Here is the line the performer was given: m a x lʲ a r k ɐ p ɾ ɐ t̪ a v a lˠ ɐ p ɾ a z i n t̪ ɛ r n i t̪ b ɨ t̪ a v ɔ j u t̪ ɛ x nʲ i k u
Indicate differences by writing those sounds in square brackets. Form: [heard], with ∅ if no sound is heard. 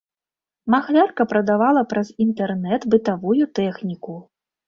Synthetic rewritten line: m a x lʲ a r k ɐ p ɾ ɐ [d̪] a v a lˠ ɐ p ɾ [ɐ] z i n t̪ ɛ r n [ɛ] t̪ b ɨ t̪ a v [u] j u t̪ ɛ x nʲ i k u